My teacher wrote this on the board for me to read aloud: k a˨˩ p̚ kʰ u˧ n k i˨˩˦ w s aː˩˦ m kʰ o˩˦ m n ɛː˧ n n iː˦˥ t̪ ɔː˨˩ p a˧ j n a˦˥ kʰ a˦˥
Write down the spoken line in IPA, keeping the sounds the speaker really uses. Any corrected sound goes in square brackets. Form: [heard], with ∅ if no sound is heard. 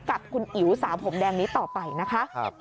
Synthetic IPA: k a˨˩ p̚ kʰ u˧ n [ʔ] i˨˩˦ w s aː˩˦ m [pʰ] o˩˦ m [d] ɛː˧ [ŋ] n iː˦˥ t̪ ɔː˨˩ p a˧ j n a˦˥ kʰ a˦˥